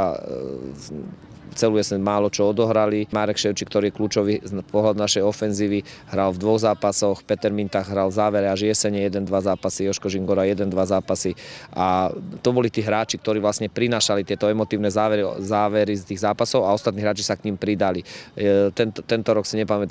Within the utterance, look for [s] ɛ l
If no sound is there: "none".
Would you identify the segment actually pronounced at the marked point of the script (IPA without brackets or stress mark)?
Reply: t͡s